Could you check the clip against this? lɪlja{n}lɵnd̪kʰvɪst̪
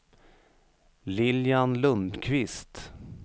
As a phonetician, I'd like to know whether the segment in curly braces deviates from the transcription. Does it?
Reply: no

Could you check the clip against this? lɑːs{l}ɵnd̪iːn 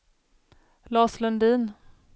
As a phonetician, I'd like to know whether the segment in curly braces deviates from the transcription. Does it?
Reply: no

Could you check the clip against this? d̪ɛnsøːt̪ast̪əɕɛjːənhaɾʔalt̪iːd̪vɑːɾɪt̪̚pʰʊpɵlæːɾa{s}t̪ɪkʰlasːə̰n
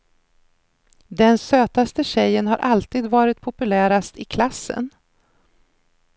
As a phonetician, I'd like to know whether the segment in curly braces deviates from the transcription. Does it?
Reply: no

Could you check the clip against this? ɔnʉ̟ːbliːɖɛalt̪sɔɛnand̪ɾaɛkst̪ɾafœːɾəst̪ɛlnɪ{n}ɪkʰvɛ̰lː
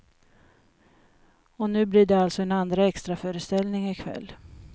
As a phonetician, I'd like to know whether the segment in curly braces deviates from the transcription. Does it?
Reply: yes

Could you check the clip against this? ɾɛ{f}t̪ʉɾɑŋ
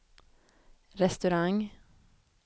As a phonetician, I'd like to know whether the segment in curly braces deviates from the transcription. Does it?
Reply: yes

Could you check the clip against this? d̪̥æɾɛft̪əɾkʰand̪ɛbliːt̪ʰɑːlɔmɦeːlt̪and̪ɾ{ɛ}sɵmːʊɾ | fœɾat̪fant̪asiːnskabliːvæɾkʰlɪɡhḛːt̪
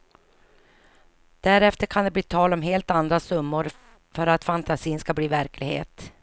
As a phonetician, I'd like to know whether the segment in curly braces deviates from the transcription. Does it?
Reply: yes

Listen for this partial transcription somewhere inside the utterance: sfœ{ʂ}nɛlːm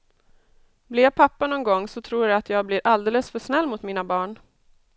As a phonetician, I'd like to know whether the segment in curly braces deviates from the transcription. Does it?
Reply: no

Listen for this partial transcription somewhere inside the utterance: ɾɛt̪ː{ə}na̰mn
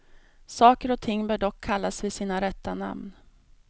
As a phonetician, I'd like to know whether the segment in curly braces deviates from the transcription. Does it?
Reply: yes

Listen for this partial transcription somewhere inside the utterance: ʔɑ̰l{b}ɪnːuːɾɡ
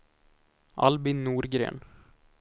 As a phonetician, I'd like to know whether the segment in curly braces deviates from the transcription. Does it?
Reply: no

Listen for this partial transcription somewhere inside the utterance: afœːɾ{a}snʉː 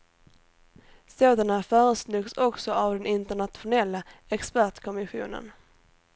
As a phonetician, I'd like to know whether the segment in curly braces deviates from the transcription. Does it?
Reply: yes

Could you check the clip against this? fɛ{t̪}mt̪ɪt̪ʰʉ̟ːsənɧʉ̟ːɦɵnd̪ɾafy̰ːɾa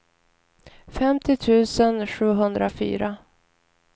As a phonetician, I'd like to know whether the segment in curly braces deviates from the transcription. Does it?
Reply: yes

